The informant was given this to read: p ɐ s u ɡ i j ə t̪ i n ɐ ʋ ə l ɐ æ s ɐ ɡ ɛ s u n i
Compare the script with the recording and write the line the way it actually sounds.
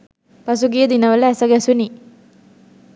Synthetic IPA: p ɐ s u ɡ i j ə d̪ i n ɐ ʋ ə l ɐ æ s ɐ ɡ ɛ s u n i